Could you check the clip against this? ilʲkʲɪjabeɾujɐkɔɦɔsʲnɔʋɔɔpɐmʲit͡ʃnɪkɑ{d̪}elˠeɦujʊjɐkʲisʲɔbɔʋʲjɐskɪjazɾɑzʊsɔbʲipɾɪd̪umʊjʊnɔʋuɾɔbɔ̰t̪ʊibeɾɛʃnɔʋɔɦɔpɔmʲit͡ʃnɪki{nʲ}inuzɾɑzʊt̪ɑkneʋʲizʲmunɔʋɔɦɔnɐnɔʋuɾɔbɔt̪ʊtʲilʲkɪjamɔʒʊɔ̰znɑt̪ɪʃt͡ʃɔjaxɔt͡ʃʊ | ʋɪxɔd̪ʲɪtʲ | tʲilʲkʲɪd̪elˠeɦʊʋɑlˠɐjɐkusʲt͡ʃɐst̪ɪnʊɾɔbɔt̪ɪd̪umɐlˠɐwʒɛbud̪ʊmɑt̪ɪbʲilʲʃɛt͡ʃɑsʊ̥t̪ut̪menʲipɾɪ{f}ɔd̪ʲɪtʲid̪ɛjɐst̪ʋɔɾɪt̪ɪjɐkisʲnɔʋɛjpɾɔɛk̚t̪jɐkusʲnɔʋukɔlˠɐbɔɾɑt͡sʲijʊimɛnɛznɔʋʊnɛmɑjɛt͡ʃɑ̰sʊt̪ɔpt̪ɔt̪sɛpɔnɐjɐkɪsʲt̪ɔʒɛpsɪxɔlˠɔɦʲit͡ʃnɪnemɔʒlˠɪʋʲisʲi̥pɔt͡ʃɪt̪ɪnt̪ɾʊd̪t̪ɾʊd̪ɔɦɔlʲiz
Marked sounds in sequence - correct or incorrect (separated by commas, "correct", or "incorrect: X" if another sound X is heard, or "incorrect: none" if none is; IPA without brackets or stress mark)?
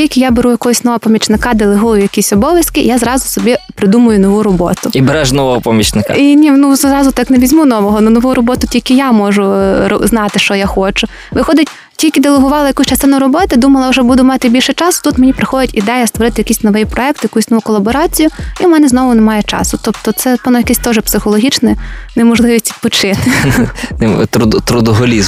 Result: correct, correct, incorrect: x